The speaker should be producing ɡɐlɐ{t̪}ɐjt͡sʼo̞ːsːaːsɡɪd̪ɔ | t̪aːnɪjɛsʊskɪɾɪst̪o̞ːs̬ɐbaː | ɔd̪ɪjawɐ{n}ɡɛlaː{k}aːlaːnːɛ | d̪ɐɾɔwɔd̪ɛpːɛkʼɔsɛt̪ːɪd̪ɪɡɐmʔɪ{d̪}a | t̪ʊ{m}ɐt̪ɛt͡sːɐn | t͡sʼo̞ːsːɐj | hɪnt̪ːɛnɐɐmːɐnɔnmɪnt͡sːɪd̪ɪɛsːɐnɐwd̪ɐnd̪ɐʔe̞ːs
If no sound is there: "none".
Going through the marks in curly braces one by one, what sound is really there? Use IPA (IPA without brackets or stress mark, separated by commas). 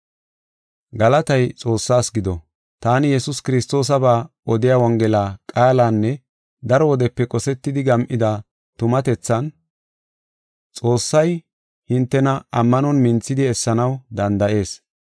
t̪, ŋ, kʼ, d̪, m